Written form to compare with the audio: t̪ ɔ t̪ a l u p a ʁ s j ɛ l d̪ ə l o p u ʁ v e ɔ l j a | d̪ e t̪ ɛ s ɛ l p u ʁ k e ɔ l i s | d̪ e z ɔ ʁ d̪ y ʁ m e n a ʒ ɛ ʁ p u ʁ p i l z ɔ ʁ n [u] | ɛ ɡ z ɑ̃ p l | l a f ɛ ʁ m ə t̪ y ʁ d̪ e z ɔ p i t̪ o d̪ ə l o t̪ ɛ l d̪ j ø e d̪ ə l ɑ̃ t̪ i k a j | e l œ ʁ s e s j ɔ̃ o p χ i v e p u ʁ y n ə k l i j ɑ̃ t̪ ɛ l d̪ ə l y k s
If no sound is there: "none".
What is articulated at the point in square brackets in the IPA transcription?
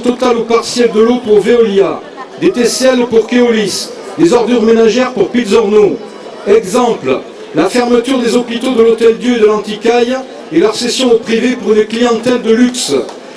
o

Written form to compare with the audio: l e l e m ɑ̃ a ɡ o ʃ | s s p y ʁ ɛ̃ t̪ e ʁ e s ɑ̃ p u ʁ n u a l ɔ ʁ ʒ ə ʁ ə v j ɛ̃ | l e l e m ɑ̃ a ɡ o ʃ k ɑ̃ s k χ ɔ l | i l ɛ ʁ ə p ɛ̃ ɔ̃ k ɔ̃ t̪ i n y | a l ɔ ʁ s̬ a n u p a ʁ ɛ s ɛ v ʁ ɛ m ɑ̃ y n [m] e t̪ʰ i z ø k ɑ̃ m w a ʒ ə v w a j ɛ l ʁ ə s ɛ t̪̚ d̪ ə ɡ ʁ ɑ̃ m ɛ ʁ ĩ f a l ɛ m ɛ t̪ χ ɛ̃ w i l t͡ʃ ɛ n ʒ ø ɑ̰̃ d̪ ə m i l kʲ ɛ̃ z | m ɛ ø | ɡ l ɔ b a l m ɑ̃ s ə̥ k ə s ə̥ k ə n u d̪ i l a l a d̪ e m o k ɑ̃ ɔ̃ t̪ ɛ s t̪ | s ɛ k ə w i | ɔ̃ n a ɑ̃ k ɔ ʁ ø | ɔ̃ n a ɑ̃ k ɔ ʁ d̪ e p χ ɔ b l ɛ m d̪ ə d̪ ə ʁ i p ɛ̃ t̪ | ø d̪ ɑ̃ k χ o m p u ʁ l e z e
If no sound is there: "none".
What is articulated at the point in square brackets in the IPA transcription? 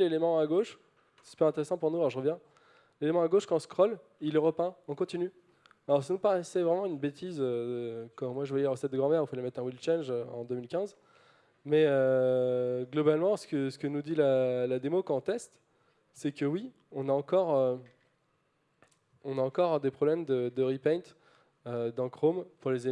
b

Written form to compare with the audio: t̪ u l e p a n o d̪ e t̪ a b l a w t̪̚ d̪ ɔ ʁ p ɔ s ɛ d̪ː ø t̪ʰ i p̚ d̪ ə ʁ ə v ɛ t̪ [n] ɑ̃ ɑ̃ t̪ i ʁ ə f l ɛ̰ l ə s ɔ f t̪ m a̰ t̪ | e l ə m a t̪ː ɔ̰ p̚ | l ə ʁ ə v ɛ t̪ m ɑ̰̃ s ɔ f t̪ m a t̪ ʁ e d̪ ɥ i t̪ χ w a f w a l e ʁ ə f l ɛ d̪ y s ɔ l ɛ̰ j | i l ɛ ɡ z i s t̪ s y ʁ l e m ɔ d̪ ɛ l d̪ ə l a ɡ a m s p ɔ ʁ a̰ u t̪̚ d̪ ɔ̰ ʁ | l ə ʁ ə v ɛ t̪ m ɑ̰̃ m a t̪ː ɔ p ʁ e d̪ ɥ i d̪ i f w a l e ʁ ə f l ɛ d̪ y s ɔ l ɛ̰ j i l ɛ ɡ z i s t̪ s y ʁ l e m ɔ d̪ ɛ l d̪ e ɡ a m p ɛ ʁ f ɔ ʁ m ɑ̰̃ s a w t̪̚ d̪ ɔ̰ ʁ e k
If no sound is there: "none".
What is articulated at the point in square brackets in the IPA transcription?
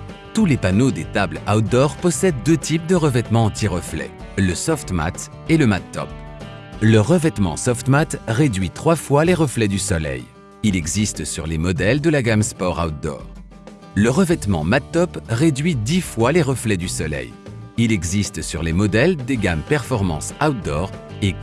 m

